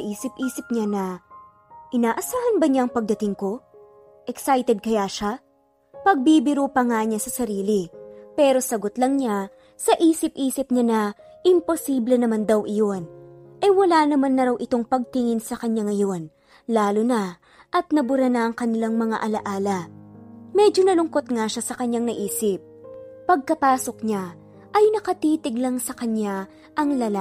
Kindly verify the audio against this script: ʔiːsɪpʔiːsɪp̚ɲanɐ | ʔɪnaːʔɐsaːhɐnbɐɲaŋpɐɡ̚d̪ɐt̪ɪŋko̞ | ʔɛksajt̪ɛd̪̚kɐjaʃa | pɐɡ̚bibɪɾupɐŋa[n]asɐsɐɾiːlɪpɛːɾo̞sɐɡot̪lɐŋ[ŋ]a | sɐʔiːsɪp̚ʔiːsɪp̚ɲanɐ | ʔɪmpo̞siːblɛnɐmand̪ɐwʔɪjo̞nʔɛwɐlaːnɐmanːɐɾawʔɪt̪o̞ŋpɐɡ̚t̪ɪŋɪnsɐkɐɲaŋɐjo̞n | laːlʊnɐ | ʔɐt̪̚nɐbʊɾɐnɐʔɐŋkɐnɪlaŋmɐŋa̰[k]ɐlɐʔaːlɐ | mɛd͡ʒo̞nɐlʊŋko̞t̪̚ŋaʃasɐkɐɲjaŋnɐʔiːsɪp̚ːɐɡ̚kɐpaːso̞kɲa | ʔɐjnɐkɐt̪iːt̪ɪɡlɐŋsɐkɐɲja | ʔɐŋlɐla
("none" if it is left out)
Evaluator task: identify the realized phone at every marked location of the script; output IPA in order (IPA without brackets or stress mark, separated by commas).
ɲ, ɲ, ʔ